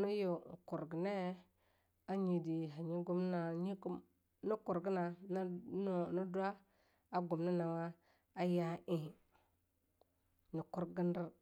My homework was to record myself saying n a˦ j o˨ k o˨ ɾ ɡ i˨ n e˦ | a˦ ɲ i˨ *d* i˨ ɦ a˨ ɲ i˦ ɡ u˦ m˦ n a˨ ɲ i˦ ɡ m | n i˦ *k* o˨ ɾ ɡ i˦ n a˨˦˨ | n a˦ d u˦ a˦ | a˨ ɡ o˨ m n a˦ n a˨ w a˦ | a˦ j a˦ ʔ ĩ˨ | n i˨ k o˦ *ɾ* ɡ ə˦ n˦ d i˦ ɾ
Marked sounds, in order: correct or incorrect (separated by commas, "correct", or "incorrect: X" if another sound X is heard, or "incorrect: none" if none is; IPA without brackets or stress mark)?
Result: correct, correct, correct